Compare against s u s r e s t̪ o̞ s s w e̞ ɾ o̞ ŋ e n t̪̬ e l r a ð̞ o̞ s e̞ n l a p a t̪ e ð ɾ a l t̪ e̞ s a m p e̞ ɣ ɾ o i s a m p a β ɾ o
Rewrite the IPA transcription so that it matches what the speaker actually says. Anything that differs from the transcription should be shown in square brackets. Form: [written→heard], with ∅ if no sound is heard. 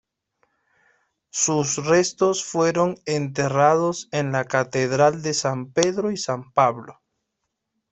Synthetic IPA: s u s r e s t̪ o̞ s [s→f] w e̞ ɾ o̞ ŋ e n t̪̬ e [l→∅] r a ð̞ o̞ s e̞ n l a [p→k] a t̪ e ð ɾ a l [t̪→d̪] e̞ s a m p e̞ [ɣ→ð] ɾ o i s a m p a β [ɾ→l] o

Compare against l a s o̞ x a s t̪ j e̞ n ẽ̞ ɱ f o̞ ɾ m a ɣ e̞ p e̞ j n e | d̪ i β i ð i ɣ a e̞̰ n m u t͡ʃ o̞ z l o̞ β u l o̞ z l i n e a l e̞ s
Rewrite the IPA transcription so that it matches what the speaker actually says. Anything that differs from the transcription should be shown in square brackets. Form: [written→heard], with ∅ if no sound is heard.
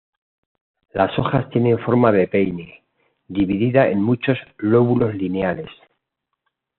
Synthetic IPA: l a s o̞ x a s t̪ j e̞ n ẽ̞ ɱ f o̞ ɾ m a [ɣ→ð] e̞ p e̞ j n e | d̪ i β i ð i [ɣ→ð] a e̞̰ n m u t͡ʃ o̞ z l o̞ β u l o̞ z l i n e a l e̞ s

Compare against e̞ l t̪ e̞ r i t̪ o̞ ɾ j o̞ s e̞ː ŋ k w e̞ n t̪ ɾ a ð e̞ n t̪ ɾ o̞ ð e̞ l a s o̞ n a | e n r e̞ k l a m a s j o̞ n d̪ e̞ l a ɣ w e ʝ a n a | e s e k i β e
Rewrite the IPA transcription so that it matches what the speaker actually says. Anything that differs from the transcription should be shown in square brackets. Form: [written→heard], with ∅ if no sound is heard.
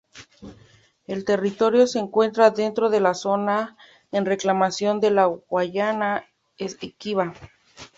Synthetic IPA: e̞ l t̪ e̞ r i t̪ o̞ ɾ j o̞ s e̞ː ŋ k w e̞ n t̪ ɾ a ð e̞ n t̪ ɾ o̞ ð e̞ l a s o̞ n a | e n r e̞ k l a m a s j o̞ n d̪ e̞ l a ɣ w [e→a] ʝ a n a | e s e k i β [e→a]

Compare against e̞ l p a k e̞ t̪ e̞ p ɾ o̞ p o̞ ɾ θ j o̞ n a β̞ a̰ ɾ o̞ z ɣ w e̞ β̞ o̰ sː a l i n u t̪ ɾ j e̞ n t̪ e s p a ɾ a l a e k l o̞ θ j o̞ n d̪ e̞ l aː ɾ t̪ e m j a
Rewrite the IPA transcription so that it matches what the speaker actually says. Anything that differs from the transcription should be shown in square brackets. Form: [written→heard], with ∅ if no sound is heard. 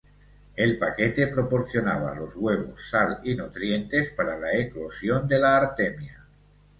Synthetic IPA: e̞ l p a k e̞ t̪ e̞ p ɾ o̞ p o̞ ɾ θ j o̞ n a β̞ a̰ [ɾ→l] o̞ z ɣ w e̞ β̞ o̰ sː a l i n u t̪ ɾ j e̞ n t̪ e s p a ɾ a l a e k l o̞ [θ→s] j o̞ n d̪ e̞ l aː ɾ t̪ e m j a

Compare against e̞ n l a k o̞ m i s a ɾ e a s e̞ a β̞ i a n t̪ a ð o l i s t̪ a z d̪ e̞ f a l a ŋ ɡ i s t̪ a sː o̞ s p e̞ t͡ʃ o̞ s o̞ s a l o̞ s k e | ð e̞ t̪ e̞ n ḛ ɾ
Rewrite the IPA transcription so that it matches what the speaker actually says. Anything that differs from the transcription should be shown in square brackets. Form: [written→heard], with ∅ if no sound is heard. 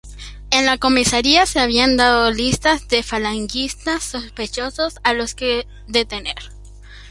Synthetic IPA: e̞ n l a k o̞ m i s a ɾ [e→i] a s e̞ a β̞ i a n [t̪→d̪] a ð o l i s t̪ a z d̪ e̞ f a l a ŋ ɡ i s t̪ a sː o̞ s p e̞ t͡ʃ o̞ s o̞ s a l o̞ s k e | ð e̞ t̪ e̞ n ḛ ɾ

